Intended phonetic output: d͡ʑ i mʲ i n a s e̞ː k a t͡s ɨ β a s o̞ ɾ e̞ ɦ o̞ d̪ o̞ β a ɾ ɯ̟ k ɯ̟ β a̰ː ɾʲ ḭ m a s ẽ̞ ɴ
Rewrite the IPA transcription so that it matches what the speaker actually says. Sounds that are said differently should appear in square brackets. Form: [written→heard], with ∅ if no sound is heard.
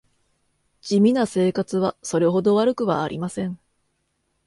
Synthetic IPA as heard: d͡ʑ i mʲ i n a s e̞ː k a t͡s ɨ β a s o̞ ɾ e̞ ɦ o̞ d̪ o̞ β a ɾ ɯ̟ k ɯ̟ β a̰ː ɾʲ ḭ m a s ẽ̞ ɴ